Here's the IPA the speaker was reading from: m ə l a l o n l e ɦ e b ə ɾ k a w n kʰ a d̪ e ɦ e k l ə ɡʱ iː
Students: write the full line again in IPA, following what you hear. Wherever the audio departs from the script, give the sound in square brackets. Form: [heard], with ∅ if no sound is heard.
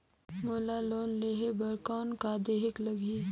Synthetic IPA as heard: m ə l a l o n l e ɦ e b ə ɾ k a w n [k] a d̪ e ɦ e k l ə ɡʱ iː